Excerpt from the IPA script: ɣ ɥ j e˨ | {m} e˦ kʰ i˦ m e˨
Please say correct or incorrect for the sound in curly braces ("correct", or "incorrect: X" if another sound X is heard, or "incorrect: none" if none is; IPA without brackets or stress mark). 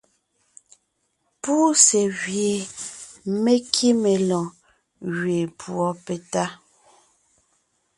correct